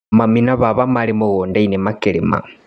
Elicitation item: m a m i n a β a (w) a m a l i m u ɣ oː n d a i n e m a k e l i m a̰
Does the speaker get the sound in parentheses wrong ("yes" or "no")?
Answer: yes